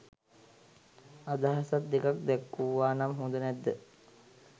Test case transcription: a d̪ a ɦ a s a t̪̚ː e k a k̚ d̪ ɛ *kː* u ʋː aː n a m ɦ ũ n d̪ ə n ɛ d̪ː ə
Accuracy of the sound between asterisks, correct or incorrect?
correct